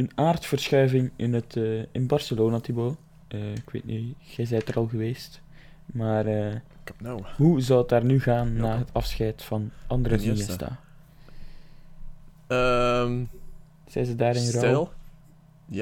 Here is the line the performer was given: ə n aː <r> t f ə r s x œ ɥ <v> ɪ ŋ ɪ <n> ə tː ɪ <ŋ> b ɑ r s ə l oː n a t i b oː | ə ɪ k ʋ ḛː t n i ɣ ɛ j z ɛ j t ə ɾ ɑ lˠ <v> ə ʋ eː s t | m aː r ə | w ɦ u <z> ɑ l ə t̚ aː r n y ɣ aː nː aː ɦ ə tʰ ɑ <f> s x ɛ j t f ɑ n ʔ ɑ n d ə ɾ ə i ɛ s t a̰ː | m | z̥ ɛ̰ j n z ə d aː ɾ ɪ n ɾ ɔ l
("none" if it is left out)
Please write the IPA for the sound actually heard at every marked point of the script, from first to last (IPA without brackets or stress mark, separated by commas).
r, v, n, n, ɣ, z, f